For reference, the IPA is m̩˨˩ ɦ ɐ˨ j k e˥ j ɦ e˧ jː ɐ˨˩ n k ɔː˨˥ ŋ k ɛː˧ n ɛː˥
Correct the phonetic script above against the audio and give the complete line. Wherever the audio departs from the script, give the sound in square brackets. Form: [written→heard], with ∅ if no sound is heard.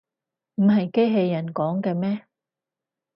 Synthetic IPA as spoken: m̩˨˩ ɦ ɐ˨ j k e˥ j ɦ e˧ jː ɐ˨˩ n k ɔː˨˥ ŋ k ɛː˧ [n→m] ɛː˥